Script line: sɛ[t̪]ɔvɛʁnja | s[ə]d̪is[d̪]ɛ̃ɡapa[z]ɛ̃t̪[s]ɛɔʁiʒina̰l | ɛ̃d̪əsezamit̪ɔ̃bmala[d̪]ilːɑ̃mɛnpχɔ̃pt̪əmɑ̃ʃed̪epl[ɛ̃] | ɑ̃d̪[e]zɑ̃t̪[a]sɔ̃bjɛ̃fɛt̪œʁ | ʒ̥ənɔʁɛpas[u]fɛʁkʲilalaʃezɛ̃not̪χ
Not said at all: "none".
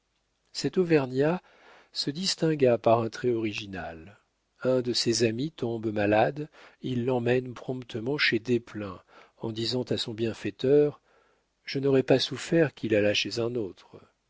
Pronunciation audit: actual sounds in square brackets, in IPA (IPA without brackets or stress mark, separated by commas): t̪, ə, t̪, ʁ, χ, d̪, ɛ̃, i, a, u